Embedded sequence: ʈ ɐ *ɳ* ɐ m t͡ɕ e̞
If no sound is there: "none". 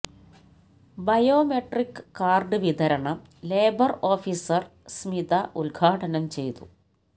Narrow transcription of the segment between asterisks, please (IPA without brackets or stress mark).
n